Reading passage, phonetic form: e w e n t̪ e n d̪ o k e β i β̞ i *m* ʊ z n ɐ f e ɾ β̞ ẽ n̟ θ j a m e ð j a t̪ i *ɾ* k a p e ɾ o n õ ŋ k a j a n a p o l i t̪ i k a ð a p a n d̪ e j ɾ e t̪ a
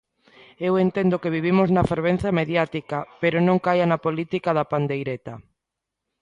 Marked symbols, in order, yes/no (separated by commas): yes, no